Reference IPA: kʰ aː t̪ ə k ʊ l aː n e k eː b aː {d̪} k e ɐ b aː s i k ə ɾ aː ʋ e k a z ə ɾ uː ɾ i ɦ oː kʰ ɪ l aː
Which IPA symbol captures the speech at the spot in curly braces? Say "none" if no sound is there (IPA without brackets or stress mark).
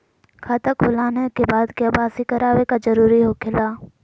d̪